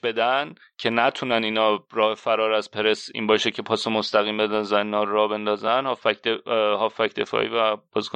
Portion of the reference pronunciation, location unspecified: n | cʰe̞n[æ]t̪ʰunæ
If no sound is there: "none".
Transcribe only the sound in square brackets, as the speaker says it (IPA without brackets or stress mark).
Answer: æ